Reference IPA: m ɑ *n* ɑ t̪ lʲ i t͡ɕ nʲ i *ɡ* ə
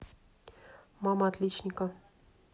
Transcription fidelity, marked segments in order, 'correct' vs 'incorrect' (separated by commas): incorrect, incorrect